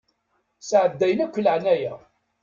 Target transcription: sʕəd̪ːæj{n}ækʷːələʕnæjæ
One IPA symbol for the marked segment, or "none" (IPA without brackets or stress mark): n